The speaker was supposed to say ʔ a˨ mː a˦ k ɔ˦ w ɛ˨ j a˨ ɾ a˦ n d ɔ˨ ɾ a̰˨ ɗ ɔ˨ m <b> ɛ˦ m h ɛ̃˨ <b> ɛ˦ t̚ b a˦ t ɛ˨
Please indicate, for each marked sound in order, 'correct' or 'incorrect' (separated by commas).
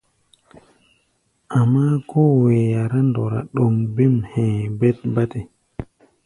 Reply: correct, correct